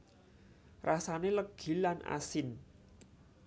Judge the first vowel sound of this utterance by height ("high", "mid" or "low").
low